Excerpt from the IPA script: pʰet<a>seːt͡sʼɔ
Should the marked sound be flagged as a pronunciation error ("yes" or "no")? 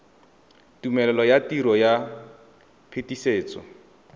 yes